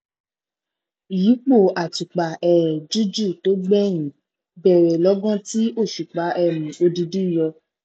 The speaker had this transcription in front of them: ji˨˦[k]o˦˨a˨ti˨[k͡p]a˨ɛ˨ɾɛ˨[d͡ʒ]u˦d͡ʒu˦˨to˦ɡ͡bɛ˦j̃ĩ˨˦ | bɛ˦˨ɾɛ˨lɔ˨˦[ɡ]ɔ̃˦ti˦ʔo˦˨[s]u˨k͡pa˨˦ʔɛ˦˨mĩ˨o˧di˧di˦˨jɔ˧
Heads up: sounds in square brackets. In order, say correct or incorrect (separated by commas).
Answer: incorrect, correct, correct, correct, incorrect